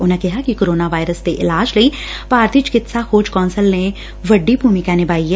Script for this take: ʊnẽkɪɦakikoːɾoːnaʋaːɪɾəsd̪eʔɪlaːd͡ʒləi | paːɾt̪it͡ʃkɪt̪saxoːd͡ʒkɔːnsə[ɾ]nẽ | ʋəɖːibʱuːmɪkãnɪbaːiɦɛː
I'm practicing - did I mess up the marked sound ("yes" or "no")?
yes